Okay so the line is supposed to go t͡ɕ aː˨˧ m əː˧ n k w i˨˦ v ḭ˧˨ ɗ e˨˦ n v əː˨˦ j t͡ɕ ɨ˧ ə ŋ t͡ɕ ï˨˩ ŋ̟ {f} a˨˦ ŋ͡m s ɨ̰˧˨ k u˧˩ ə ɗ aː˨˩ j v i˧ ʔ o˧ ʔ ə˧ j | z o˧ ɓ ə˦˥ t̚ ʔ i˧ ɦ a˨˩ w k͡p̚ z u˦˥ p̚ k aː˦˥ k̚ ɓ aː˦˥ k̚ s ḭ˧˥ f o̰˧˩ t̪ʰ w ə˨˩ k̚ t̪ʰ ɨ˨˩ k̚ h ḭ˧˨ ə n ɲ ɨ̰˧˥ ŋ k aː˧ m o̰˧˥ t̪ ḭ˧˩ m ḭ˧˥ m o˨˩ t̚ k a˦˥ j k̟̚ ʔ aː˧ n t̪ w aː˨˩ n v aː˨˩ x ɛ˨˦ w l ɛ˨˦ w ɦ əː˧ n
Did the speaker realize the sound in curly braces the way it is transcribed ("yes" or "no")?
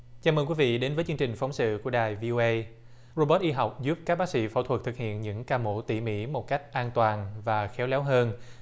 yes